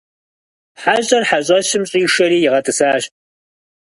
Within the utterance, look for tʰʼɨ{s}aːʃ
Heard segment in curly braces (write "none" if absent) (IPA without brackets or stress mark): s